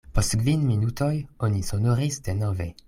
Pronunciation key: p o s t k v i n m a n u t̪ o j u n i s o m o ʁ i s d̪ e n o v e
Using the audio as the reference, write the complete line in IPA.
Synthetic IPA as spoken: p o s t k v i n m i n u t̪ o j o n i s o n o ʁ i s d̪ e n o v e